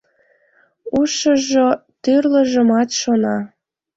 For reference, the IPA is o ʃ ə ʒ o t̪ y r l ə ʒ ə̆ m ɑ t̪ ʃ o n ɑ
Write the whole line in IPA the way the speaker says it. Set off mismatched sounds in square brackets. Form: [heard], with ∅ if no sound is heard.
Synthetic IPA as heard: [u] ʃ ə ʒ o t̪ y r l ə ʒ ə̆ m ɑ t̪ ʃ o n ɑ